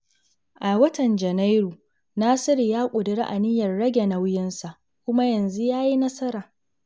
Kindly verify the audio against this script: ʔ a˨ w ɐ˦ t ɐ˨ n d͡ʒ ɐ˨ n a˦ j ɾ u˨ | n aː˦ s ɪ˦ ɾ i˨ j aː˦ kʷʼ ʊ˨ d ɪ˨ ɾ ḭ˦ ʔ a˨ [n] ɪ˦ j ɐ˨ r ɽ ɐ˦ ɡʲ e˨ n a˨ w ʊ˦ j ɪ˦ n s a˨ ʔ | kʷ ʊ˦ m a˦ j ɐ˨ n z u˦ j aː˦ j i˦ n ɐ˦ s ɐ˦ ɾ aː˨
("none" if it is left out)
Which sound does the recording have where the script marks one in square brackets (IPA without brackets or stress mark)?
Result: n